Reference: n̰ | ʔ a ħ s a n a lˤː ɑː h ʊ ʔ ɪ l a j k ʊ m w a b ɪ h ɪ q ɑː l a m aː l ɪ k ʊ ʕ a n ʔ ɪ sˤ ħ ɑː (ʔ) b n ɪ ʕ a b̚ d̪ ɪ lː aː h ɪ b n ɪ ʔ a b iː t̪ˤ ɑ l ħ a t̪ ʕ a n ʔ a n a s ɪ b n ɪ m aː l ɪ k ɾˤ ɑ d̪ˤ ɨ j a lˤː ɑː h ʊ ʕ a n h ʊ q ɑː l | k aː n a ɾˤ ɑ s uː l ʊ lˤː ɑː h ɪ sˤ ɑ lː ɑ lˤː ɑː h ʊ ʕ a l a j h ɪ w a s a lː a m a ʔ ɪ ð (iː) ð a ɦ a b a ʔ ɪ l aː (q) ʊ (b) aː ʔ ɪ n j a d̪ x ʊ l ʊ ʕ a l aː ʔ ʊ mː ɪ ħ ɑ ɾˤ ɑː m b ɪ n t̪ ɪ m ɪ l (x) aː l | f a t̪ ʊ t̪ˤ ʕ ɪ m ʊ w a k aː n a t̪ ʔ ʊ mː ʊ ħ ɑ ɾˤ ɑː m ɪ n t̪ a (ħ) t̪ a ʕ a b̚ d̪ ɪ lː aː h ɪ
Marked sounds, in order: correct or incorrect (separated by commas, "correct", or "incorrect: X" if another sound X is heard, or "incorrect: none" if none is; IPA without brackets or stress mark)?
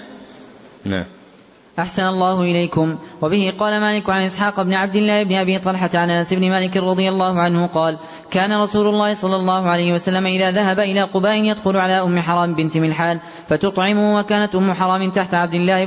incorrect: q, incorrect: aː, correct, correct, incorrect: ħ, correct